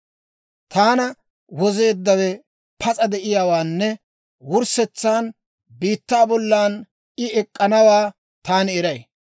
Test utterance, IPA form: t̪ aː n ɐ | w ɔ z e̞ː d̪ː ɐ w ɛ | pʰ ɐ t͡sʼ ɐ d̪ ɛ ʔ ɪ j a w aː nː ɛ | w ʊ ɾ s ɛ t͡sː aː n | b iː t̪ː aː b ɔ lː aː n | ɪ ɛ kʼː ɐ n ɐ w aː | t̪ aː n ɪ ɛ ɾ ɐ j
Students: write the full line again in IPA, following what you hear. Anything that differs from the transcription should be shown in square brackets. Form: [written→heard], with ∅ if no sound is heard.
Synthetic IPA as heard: t̪ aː n ɐ | w ɔ z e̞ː d̪ː ɐ w ɛ | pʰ ɐ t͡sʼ ɐ d̪ ɛ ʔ ɪ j a w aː nː ɛ | w ʊ ɾ s ɛ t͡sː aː n | b iː t̪ː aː b ɔ lː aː n | ɪ ɛ kʼː ɐ n ɐ w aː | t̪ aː n ɪ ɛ ɾ ɐ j